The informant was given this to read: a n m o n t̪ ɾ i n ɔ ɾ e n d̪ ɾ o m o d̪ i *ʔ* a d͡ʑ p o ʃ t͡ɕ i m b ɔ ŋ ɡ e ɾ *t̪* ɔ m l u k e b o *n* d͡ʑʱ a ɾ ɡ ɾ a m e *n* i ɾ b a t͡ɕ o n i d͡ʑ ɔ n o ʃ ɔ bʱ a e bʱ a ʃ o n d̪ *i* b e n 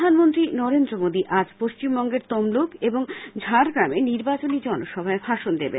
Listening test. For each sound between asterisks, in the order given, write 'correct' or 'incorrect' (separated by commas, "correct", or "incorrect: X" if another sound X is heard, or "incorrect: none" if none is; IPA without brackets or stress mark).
correct, correct, incorrect: ŋ, correct, incorrect: e